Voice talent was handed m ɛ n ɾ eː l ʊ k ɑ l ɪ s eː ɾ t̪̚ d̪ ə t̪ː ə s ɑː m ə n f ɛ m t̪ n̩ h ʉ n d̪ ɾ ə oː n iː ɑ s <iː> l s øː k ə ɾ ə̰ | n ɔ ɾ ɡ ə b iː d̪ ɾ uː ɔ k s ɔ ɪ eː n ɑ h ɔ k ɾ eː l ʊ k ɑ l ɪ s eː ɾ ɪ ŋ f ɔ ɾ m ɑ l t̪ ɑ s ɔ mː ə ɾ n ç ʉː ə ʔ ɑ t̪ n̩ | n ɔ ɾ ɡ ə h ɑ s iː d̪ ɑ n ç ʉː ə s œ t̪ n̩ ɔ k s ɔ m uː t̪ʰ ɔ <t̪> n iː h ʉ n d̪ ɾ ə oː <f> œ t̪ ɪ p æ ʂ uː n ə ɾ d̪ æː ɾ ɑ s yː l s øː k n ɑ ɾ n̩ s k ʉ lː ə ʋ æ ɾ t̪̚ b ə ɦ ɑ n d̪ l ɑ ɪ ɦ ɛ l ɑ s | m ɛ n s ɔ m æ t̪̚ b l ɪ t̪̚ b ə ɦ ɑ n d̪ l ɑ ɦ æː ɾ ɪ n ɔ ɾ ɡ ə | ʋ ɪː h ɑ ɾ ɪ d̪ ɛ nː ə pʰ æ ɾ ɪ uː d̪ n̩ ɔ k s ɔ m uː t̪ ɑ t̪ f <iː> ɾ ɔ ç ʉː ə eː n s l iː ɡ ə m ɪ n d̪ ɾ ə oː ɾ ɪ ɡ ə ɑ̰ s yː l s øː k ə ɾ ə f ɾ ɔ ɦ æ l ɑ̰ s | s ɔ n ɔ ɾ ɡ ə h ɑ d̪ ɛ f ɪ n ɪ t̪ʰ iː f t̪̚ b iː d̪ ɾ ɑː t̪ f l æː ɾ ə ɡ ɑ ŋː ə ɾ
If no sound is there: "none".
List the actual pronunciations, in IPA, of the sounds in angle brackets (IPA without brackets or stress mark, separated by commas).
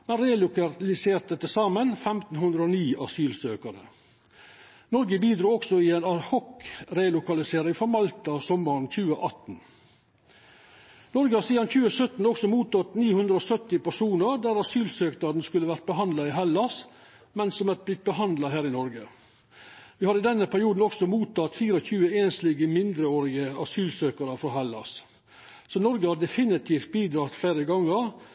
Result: yː, t̪, s, iː